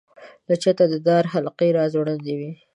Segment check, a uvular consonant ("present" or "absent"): present